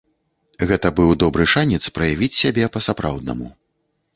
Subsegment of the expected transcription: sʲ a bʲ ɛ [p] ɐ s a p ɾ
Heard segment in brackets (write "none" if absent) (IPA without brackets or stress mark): p